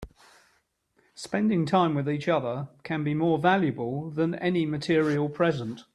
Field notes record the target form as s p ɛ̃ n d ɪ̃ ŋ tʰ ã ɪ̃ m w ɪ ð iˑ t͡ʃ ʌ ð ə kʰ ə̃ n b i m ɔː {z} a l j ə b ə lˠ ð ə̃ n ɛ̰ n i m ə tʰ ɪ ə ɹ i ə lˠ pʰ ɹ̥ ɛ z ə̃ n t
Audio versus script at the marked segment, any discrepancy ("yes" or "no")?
yes